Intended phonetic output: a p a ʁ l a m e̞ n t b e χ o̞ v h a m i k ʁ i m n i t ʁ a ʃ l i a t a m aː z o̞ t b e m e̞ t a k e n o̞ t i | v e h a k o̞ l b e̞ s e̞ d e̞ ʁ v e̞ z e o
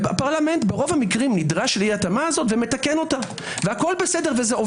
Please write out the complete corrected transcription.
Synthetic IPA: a p a ʁ l a m e̞ n t b e ʁ o̞ v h a m i k ʁ i m n i d ʁ a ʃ l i a t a m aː z o̞ t v e m e̞ t a k e n o̞ t a | v e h a k o̞ l b e̞ s e̞ d e̞ ʁ v e̞ z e o

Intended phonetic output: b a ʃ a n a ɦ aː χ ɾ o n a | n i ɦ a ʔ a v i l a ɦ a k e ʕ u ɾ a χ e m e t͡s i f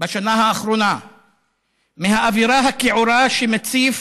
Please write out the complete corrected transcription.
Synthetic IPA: b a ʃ a n a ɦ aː χ ɾ o n a | m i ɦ a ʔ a v i ɾ a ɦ a k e ʕ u ɾ a ʃ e m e t͡s i f

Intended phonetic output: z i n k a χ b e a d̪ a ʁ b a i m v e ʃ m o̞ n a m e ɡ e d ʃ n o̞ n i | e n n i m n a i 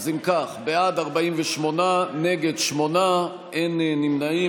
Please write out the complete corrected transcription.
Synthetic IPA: z i m k a χ b e a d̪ a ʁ b a i m v e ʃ m o̞ n a n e ɡ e d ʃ m o̞ n a | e n n i m n a i

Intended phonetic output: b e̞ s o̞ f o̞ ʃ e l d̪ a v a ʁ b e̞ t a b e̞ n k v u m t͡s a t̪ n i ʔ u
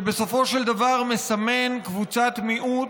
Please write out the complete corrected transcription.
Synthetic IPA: b e̞ s o̞ f o̞ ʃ e l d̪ a v a ʁ m e̞ s a m e̞ n k v u t͡s a t̪ m i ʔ u

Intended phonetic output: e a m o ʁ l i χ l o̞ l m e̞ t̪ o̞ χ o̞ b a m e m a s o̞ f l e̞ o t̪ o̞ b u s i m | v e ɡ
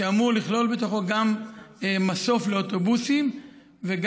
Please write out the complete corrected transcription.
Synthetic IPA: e a m u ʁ l i χ l o̞ l b e̞ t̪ o̞ χ o̞ ɡ a m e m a s o̞ f l e̞ o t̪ o̞ b u s i m | v e ɡ

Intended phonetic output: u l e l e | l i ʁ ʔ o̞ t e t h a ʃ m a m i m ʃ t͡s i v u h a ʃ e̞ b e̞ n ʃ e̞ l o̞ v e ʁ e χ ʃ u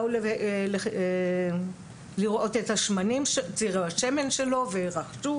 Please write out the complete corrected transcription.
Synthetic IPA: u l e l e | l i ʁ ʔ o̞ t e t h a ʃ m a n i m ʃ t͡s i ʁ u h a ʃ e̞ m e̞ n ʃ e̞ l o̞ v e ʁ a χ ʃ u

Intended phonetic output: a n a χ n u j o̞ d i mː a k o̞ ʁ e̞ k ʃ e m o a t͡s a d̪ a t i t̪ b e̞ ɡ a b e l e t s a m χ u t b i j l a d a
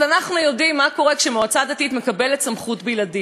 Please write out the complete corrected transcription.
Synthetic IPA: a n a χ n u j o̞ d i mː a k o̞ ʁ e̞ k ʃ e m o a t͡s a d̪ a t i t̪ m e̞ k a b e l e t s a m χ u t b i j l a d i

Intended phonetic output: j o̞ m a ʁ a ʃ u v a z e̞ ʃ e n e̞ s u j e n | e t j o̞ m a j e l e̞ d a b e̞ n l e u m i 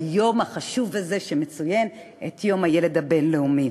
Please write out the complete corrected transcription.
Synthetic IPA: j o̞ m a χ a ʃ u v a z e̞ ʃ e m e̞ t͡s u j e n | e t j o̞ m a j e l e̞ d a b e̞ n l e u m i

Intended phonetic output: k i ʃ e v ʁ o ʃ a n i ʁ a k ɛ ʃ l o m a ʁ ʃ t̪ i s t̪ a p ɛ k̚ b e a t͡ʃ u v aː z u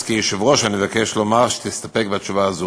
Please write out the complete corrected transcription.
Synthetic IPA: k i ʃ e v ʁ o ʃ a n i v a k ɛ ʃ l o m a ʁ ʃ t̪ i s t̪ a p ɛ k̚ b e a t͡ʃ u v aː z u

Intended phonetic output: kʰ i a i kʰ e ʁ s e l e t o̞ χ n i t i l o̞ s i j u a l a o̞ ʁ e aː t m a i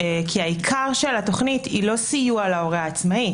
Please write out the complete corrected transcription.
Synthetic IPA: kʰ i a i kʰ a ʁ ʃ e l a t o̞ χ n i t i l o̞ s i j u a l a o̞ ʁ e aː t͡s m a i

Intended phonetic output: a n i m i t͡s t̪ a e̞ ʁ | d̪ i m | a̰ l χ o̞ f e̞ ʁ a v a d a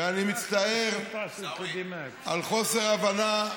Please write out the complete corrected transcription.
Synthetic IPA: a n i m i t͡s t̪ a e̞ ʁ | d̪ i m | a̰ l χ o̞ s e̞ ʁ a v a n a

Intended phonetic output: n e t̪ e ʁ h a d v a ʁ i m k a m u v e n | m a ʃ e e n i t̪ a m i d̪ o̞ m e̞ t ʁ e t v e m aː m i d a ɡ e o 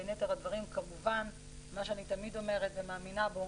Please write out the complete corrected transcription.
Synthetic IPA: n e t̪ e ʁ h a d v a ʁ i m k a m u v a n | m a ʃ e a n i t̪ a m i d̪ o̞ m e̞ ʁ e t v e m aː m i n a b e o

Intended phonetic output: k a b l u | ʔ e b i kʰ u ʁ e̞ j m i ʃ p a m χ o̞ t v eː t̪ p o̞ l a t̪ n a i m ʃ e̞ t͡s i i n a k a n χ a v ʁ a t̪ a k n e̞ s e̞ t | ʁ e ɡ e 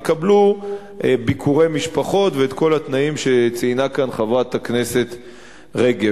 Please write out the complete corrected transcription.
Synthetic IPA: k a b l u | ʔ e b i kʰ u ʁ e̞ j m i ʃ p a χ o̞ t v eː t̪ k o̞ l a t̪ n a i m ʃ e̞ t͡s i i n a k a n χ a v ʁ a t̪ a k n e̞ s e̞ t | ʁ e ɡ e

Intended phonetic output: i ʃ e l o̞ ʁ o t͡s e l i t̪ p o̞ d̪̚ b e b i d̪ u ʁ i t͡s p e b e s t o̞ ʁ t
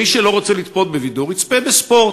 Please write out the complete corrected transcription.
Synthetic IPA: i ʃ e l o̞ ʁ o t͡s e l i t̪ p o̞ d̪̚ b e v i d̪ u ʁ i t͡s p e b e s p o̞ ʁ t

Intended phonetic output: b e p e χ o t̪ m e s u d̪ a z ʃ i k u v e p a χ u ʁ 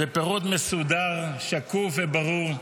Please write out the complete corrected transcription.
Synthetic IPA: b e p e ʁ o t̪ m e s u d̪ a ʁ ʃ a k u v e b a ʁ u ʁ

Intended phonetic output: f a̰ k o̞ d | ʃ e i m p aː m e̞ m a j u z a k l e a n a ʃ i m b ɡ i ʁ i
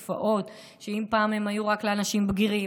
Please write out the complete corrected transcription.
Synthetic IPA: f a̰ ʔ o̞ t | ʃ e i m p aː m e̞ m a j u ʁ a k l e a n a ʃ i m b ɡ i ʁ i

